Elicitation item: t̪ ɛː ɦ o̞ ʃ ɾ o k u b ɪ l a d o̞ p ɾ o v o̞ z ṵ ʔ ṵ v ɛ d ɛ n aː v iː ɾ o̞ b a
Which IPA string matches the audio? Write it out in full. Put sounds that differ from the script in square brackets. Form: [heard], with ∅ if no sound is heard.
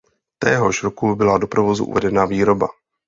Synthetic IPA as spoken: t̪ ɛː ɦ o̞ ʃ ɾ o k u b ɪ l a d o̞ p ɾ o v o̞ z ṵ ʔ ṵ v ɛ d ɛ n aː v iː ɾ o̞ b a